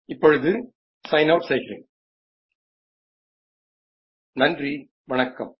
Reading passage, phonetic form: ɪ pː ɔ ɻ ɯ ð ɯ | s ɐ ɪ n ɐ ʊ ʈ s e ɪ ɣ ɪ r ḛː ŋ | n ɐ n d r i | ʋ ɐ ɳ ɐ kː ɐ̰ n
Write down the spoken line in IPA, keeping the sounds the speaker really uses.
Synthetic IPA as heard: ɪ pː ɔ ɻ ɯ ð ɯ | s ɐ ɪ n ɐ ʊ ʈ s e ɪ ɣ ɪ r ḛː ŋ | n ɐ n d r i | ʋ ɐ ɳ ɐ kː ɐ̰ m